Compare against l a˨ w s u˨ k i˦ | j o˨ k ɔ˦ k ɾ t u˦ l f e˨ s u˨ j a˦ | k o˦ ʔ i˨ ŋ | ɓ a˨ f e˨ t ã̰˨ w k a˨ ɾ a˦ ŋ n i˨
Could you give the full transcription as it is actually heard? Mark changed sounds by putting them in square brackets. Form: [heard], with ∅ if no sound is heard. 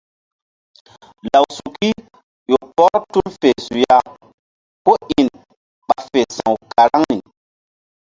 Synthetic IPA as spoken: l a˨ w s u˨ k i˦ | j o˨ [p] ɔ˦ [∅] ɾ t u˦ l f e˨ s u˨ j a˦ | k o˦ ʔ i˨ [n] | ɓ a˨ f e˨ [s] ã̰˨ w k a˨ ɾ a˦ ŋ n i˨